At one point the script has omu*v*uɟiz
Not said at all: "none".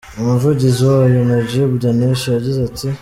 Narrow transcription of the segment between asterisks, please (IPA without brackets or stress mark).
v